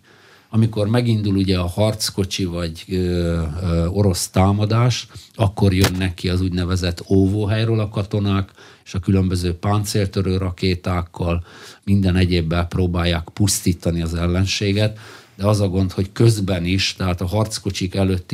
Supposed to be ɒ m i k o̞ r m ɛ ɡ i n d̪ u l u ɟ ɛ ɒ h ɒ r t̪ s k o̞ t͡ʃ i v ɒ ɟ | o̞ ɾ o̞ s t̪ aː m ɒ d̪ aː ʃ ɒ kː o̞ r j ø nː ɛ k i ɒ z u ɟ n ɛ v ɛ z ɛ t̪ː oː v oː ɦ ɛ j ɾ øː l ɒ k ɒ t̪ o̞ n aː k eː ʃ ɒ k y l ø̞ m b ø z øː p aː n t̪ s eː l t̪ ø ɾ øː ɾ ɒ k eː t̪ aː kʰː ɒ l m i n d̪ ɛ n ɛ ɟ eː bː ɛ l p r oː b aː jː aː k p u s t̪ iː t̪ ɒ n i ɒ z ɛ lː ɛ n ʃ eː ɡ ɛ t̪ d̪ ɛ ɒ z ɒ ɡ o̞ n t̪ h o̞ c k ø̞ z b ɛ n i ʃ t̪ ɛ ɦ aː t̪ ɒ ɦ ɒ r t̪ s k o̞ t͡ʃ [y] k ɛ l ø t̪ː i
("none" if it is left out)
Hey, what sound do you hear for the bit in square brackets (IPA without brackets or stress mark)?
i